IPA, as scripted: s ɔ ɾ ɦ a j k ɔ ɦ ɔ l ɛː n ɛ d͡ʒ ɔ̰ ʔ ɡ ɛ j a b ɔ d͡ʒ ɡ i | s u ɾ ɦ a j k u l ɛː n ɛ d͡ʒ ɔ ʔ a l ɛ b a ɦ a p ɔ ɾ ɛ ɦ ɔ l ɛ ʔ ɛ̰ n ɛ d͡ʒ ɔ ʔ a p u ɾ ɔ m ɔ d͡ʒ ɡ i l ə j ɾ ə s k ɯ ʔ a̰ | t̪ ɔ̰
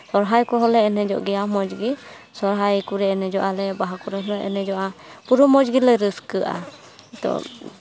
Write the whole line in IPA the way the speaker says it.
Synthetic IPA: s ɔ ɾ ɦ a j k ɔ ɦ ɔ l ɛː n ɛ d͡ʒ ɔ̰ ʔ ɡ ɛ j a m ɔ d͡ʒ ɡ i | s ɔ ɾ ɦ a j k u ɾ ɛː n ɛ d͡ʒ ɔ ʔ a l ɛ b a ɦ a k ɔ ɾ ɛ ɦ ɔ l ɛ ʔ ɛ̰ n ɛ d͡ʒ ɔ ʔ a p u ɾ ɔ m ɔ d͡ʒ ɡ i l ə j ɾ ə s k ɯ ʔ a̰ | t̪ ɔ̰

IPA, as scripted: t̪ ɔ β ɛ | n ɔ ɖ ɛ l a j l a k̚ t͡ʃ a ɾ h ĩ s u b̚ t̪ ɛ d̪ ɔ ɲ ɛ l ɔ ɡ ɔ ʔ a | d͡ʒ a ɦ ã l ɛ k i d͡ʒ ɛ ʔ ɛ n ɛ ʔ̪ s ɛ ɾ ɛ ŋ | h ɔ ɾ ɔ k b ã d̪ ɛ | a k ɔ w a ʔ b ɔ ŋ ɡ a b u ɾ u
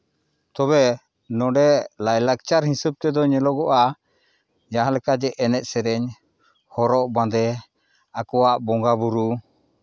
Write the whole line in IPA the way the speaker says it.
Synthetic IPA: t̪ ɔ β ɛ | n ɔ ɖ ɛ l a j l a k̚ t͡ʃ a ɾ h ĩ s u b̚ t̪ ɛ d̪ ɔ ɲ ɛ l ɔ ɡ ɔ ʔ a | d͡ʒ a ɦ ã l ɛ k a d͡ʒ ɛ ʔ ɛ n ɛ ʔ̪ s ɛ ɾ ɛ ɲ | h ɔ ɾ ɔ ʔ b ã d̪ ɛ | a k ɔ w a ʔ b ɔ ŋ ɡ a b u ɾ u

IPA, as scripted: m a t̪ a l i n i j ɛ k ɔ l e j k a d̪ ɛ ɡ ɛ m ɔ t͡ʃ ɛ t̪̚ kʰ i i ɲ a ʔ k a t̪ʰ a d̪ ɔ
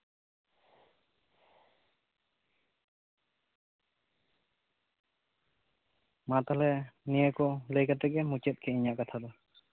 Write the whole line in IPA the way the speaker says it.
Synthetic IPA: m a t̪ a l ɛ n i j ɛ k ɔ l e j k a t̪ ɛ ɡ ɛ m u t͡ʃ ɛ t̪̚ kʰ ɛ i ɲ a ʔ k a t̪ʰ a d̪ ɔ

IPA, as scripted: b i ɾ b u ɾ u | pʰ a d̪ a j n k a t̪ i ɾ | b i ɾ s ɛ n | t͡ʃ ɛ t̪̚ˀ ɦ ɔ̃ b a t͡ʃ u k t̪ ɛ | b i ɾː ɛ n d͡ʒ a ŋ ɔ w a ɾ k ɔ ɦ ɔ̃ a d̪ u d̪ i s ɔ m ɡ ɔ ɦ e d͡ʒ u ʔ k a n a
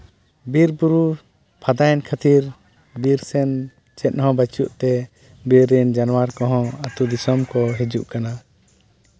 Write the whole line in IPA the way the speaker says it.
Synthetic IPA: b i ɾ b u ɾ u | pʰ a d̪ a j n kʰ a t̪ i ɾ | b i ɾ s ɛ n | t͡ʃ ɛ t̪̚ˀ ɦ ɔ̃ b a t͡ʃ u ʔ t̪ ɛ | b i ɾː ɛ n d͡ʒ a n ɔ w a ɾ k ɔ ɦ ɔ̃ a t̪ u d̪ i s ɔ m k ɔ ɦ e d͡ʒ u ʔ k a n a

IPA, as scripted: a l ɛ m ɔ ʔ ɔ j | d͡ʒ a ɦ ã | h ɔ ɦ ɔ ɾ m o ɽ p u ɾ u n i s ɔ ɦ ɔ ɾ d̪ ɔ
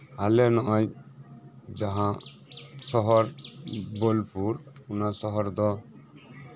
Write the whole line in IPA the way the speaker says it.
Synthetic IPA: a l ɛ n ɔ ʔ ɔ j | d͡ʒ a ɦ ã | s ɔ ɦ ɔ ɾ b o l p u ɾ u n a s ɔ ɦ ɔ ɾ d̪ ɔ

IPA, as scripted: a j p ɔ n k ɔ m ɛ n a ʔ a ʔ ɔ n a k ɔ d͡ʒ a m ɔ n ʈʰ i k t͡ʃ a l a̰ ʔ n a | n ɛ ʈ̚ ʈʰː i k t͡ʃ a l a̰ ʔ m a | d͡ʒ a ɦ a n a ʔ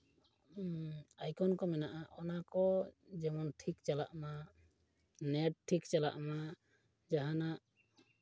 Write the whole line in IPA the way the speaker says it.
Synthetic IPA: a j k ɔ n k ɔ m ɛ n a ʔ a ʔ ɔ n a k ɔ d͡ʒ ɛ m ɔ n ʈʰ i k t͡ʃ a l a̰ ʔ m a | n ɛ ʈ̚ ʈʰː i k t͡ʃ a l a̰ ʔ m a | d͡ʒ a ɦ a n a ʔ

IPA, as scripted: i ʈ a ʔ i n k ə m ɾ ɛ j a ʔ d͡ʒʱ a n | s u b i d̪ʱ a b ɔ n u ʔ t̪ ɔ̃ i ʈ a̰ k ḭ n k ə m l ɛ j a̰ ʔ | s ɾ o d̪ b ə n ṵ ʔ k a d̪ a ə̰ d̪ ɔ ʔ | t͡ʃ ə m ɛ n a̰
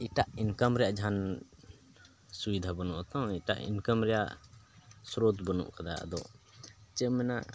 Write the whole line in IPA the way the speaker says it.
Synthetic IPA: i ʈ a ʔ i n k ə m ɾ ɛ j a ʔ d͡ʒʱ a n | s u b i d̪ʱ a b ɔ n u ʔ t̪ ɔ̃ i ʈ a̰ ʔ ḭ n k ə m ɾ ɛ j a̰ ʔ | s ɾ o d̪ b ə n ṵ ʔ k a d̪ a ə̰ d̪ ɔ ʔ | t͡ʃ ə m ɛ n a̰

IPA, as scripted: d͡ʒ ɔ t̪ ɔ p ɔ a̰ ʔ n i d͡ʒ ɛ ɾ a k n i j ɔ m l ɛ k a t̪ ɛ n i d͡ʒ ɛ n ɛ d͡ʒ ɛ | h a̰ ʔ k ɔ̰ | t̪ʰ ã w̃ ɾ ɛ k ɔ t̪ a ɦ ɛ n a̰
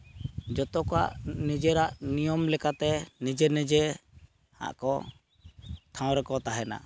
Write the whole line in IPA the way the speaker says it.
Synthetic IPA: d͡ʒ ɔ t̪ ɔ k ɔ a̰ ʔ n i d͡ʒ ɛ ɾ a ʔ n i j ɔ m l ɛ k a t̪ ɛ n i d͡ʒ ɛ n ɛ d͡ʒ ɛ | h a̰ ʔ k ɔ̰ | t̪ʰ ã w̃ ɾ ɛ k ɔ t̪ a ɦ ɛ n a̰

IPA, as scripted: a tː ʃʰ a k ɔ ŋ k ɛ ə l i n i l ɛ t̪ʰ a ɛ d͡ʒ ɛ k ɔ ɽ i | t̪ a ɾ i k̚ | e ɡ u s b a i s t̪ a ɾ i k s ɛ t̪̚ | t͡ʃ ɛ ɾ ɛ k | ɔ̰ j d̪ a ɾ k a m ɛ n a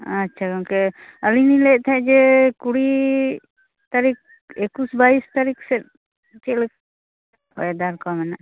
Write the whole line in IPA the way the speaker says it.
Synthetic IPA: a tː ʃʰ a k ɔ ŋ k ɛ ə l i n i l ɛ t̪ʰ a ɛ d͡ʒ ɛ k u ɽ i | t̪ a ɾ i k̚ | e k u s b a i s t̪ a ɾ i k s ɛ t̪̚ | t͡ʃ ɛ l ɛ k | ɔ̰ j d̪ a ɾ k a m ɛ n a

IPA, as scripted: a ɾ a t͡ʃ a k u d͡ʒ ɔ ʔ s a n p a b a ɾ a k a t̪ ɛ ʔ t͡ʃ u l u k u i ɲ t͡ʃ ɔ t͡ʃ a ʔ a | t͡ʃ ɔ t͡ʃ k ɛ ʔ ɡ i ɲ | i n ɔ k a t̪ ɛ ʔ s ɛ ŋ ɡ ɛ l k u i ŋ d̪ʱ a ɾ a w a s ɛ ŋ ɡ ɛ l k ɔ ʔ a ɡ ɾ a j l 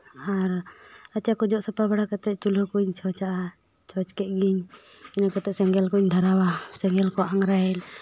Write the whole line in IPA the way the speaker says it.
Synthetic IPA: a ɾ a t͡ʃ a k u d͡ʒ ɔ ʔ s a p a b a ɽ a k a t̪ ɛ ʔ t͡ʃ u l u k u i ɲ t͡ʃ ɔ t͡ʃ a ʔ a | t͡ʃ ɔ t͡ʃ k ɛ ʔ ɡ i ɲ | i n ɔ k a t̪ ɛ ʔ s ɛ ŋ ɡ ɛ l k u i ɲ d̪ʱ a ɾ a w a s ɛ ŋ ɡ ɛ l k ɔ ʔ a ŋ ɾ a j l

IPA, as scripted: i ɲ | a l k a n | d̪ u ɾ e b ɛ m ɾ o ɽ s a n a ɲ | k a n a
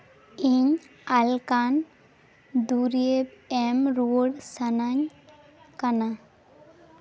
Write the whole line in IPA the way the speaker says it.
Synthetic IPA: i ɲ | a l k a n | d̪ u ɾ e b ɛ m ɾ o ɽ s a n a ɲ | k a n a

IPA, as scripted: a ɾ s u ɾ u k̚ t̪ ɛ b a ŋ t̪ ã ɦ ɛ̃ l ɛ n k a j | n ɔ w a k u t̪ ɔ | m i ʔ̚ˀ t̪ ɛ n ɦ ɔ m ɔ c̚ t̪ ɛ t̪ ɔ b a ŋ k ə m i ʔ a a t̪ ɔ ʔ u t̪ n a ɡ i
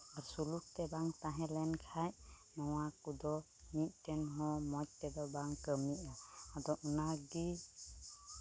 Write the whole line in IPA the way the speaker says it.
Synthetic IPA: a ɾ s u l u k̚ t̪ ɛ b a ŋ t̪ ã ɦ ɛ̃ l ɛ n kʰ a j | n ɔ w a k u d̪ ɔ | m i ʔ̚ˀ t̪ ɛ n ɦ ɔ m ɔ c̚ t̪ ɛ d̪ ɔ b a ŋ k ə m i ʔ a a d̪ ɔ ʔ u n a ɡ i

